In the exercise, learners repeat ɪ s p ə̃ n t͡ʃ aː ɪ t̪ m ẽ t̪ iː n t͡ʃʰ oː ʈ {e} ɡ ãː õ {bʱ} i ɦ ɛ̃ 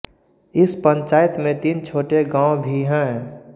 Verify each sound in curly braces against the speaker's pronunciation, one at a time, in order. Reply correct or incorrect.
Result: correct, correct

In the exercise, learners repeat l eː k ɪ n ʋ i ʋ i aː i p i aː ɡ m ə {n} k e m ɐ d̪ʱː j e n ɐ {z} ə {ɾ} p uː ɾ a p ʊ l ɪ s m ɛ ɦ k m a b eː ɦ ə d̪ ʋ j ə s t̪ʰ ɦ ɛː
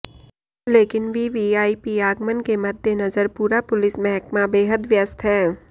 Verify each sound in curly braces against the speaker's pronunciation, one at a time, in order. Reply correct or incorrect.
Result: correct, correct, correct

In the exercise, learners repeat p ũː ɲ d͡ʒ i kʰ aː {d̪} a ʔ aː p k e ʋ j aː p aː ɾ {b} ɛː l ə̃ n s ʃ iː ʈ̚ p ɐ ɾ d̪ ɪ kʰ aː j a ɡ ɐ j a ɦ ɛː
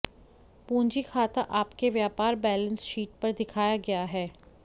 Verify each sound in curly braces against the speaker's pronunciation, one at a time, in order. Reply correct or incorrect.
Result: incorrect, correct

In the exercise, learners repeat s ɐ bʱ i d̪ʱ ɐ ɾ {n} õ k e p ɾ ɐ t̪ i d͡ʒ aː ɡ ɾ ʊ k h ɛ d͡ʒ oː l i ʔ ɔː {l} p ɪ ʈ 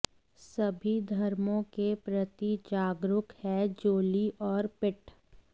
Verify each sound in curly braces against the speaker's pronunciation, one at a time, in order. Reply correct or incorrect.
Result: incorrect, incorrect

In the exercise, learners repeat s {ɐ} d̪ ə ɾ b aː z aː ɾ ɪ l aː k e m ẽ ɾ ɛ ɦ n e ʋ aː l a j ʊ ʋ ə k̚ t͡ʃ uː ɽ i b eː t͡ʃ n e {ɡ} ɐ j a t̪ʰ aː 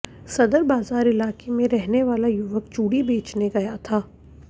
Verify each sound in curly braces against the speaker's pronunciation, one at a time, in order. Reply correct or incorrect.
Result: correct, correct

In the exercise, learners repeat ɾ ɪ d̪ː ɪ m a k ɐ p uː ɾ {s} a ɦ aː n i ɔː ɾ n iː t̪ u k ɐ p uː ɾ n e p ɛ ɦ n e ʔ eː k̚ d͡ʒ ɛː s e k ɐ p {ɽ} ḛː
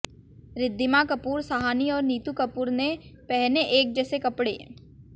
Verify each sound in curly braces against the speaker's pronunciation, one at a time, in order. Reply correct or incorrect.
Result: correct, correct

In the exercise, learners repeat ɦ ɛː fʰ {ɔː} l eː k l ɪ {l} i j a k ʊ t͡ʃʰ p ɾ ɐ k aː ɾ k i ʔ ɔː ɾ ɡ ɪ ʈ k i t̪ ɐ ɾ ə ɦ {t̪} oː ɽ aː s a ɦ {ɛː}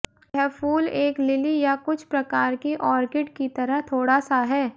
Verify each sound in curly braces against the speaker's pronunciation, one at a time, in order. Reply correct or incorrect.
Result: incorrect, correct, incorrect, correct

